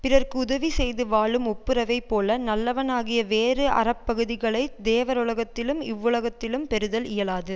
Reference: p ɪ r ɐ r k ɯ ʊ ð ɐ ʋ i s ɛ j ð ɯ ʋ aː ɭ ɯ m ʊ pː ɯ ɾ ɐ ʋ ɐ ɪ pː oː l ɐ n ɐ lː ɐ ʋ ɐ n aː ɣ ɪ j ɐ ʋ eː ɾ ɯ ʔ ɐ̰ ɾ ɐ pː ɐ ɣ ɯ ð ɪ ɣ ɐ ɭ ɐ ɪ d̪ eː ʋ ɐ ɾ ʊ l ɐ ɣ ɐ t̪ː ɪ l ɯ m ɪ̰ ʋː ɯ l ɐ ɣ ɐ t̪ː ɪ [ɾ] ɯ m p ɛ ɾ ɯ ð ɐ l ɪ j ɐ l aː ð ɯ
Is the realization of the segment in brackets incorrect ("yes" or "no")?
yes